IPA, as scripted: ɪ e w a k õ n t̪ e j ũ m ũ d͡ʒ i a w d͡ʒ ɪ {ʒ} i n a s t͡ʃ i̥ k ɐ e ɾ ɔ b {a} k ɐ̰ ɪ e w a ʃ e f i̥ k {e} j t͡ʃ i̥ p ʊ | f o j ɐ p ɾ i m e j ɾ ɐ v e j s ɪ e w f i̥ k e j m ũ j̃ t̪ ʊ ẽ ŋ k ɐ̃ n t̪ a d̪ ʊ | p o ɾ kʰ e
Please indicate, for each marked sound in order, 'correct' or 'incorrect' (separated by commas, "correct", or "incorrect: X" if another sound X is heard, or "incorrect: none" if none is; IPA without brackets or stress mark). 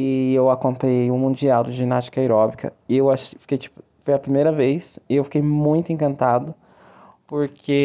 correct, incorrect: i, correct